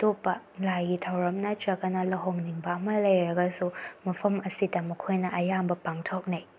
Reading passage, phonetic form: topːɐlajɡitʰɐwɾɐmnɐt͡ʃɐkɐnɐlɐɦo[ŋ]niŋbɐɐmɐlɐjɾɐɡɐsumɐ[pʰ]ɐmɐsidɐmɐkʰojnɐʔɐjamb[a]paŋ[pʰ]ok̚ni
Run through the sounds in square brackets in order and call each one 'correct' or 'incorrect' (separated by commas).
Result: correct, correct, incorrect, incorrect